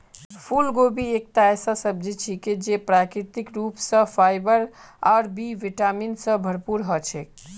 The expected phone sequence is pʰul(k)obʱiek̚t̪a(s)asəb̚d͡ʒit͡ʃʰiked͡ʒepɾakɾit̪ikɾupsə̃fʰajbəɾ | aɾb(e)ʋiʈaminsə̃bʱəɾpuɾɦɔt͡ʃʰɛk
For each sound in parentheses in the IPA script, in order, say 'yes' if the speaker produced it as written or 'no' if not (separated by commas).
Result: no, yes, no